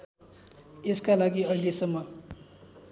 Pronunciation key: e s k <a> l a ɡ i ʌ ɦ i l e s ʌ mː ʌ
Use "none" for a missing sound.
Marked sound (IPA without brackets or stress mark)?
a